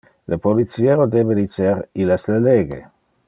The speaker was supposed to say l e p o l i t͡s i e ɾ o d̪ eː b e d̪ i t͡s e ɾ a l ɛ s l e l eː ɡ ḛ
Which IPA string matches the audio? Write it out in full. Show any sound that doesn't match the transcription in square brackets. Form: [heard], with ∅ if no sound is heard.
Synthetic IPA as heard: l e p o l i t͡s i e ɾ o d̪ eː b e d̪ i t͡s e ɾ [i] l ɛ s l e l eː ɡ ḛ